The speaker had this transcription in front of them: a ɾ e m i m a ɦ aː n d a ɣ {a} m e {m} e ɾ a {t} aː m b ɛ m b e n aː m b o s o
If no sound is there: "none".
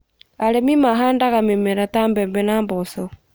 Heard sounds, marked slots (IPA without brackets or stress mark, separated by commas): a, m, t